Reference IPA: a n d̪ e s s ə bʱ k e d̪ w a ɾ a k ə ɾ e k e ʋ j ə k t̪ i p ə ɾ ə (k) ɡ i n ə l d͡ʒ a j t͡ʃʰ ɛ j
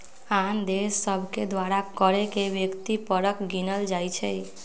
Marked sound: correct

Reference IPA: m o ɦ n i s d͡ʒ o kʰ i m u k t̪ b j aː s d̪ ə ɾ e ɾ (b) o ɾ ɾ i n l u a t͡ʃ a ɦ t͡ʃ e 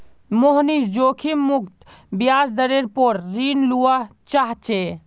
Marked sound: incorrect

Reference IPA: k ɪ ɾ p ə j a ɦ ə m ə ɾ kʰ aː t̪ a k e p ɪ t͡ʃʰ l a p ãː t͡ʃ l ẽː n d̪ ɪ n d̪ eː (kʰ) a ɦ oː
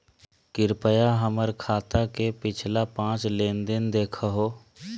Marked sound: correct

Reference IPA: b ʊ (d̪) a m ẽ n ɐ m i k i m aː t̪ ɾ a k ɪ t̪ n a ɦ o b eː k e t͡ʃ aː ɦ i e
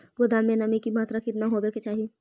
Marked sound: correct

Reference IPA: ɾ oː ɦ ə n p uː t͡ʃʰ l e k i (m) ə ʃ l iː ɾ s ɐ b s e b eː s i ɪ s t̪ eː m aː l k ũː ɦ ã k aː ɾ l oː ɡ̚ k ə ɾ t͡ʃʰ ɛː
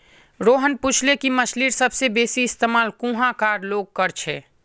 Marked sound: correct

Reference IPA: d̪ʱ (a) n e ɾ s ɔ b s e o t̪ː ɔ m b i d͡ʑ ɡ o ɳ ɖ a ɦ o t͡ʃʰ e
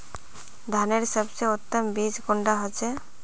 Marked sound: correct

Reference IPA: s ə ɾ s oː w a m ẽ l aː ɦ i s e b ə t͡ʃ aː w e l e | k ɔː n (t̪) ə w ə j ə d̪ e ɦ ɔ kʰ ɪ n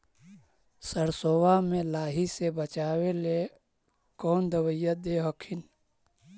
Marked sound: incorrect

